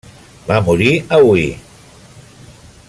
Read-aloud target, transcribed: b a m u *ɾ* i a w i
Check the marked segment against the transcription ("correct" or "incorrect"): correct